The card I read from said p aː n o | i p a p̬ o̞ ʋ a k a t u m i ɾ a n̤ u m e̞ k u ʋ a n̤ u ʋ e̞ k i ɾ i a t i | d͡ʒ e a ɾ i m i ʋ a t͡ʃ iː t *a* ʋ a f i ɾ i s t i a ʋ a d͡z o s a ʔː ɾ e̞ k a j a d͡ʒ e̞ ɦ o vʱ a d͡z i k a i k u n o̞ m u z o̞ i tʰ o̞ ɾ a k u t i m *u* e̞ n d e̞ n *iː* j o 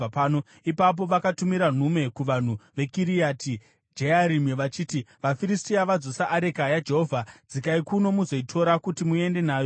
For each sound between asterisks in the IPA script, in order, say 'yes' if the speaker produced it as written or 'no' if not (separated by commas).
no, yes, no